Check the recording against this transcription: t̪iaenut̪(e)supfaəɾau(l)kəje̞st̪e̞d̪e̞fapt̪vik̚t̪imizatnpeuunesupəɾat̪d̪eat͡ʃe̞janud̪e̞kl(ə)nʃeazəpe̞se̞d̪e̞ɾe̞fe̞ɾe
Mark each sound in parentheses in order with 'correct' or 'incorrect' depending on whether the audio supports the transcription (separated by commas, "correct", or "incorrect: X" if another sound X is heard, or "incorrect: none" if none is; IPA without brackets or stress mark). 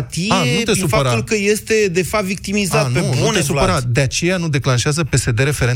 correct, correct, incorrect: a